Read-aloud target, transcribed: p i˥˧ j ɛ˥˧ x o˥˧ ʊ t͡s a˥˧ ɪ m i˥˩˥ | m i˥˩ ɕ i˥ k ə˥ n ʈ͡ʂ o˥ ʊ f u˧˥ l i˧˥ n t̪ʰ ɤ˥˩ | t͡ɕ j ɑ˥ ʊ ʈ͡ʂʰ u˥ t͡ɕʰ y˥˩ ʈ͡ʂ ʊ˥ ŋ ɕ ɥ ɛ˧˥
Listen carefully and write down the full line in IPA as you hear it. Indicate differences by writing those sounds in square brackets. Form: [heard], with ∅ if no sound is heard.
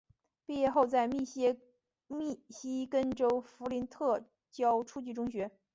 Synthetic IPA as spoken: p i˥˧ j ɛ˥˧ x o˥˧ ʊ t͡s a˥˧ ɪ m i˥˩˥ | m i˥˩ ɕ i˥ k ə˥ n ʈ͡ʂ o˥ ʊ f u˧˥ l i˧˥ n t̪ʰ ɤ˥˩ | t͡ɕ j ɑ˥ ʊ ʈ͡ʂʰ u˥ [t͡ɕ] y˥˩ ʈ͡ʂ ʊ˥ ŋ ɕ ɥ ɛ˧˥